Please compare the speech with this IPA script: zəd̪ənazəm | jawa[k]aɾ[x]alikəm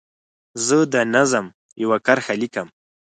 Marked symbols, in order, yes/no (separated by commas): yes, yes